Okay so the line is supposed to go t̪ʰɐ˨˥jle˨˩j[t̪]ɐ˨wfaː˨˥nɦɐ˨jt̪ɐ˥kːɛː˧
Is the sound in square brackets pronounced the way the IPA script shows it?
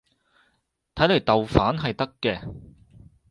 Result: yes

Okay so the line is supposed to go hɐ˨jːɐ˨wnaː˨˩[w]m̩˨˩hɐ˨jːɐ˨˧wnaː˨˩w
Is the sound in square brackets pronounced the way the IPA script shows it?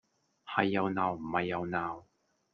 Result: yes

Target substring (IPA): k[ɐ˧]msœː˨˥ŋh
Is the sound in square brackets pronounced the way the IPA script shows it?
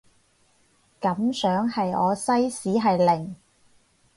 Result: no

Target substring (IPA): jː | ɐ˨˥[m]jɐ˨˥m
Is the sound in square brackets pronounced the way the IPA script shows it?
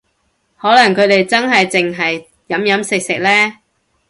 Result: yes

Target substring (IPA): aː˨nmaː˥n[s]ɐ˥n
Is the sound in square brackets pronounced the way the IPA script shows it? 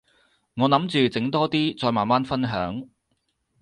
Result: no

